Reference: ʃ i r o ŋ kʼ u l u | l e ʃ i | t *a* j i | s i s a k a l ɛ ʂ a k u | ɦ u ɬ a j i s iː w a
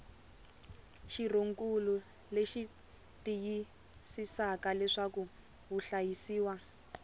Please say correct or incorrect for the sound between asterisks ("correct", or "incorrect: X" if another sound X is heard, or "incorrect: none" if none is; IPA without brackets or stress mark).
incorrect: i